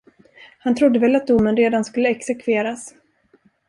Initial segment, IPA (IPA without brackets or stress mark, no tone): h